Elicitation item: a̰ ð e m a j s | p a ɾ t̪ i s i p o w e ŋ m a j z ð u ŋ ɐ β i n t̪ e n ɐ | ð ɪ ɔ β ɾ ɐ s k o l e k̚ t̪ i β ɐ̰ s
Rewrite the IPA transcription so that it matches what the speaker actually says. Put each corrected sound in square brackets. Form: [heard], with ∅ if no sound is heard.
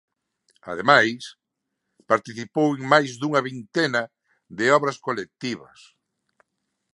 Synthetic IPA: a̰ ð e m a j s | p a ɾ t̪ i [θ] i p o w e ŋ m a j z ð u ŋ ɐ β i n t̪ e n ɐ | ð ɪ ɔ β ɾ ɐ s k o l e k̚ t̪ i β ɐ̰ s